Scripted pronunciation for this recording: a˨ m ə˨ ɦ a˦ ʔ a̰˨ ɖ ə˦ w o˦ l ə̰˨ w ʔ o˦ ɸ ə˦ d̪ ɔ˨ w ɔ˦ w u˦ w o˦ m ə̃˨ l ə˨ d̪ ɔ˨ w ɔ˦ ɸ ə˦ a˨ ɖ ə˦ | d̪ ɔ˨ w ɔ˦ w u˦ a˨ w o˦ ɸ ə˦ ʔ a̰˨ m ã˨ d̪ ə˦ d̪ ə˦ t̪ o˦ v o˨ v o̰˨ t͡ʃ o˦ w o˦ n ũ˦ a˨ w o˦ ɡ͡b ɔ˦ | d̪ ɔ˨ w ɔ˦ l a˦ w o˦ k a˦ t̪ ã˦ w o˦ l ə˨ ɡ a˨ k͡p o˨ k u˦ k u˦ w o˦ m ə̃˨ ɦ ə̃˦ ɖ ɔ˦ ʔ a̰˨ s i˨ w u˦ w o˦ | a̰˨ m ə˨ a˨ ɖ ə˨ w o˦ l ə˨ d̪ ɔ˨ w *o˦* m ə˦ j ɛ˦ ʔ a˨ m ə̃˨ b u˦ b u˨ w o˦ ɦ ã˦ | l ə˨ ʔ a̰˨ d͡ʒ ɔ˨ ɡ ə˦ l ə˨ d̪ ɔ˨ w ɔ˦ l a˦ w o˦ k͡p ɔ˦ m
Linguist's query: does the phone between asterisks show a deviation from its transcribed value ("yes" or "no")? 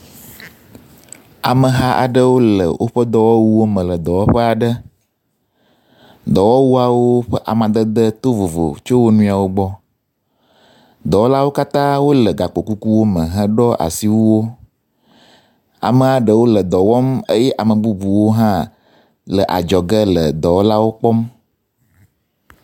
yes